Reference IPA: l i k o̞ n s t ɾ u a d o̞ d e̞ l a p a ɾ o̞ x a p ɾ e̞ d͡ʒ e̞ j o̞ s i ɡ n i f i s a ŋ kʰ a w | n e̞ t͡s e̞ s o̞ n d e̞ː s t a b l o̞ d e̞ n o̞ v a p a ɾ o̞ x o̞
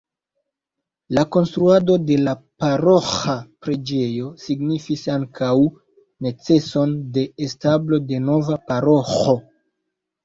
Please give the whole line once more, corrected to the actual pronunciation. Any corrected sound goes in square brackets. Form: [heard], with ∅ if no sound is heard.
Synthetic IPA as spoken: l [a] k o̞ n s t ɾ u a d o̞ d e̞ l a p a ɾ o̞ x a p ɾ e̞ d͡ʒ e̞ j o̞ s i ɡ n i f i s a ŋ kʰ a w | n e̞ t͡s e̞ s o̞ n d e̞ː s t a b l o̞ d e̞ n o̞ v a p a ɾ o̞ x o̞